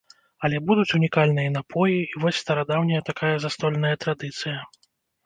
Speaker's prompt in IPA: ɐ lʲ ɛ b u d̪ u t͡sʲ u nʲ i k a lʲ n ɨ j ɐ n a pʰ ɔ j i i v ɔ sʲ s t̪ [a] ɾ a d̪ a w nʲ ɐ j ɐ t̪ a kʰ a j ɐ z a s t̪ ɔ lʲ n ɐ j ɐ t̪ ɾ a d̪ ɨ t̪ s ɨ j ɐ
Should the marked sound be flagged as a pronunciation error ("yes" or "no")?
yes